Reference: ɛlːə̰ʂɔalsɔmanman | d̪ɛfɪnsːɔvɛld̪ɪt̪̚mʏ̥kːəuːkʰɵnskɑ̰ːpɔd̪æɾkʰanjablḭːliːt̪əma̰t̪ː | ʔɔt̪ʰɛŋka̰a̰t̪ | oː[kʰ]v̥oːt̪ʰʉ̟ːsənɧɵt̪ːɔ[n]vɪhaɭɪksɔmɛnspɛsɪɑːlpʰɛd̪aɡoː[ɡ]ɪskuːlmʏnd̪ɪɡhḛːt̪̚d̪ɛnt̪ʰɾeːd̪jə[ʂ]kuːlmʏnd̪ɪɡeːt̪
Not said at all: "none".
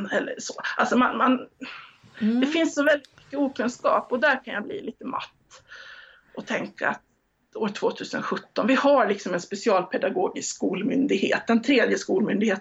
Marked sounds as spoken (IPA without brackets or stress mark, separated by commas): ʈʰ, n, ɡ, s